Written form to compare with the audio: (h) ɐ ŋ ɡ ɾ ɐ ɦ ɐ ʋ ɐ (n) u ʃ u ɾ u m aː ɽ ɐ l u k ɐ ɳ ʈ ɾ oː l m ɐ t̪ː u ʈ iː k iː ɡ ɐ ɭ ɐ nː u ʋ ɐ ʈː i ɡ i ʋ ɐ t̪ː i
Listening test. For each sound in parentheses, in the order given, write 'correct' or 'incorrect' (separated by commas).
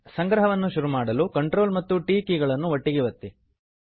incorrect, incorrect